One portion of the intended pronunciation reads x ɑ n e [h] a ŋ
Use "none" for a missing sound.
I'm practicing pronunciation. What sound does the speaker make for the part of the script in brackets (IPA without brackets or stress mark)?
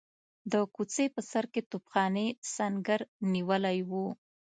s